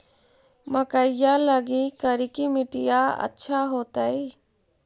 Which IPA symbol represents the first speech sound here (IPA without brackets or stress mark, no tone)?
m